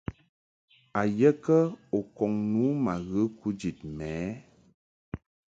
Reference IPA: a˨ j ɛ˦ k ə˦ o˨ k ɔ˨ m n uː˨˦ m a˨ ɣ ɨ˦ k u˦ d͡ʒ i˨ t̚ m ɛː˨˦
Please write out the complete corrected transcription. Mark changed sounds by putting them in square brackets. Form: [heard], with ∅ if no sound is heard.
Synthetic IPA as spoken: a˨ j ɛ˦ k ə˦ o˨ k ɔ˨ [ŋ] n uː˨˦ m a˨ ɣ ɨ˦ k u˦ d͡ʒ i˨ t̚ m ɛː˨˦